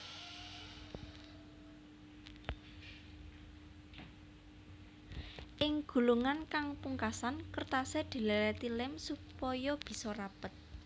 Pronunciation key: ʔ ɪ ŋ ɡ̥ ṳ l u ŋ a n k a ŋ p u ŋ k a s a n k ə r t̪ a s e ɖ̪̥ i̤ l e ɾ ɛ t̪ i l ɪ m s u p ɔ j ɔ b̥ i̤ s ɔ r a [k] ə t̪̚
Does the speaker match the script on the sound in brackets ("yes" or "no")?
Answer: no